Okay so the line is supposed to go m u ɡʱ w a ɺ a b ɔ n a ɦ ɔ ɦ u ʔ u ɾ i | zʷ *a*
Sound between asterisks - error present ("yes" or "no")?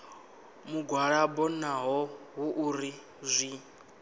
yes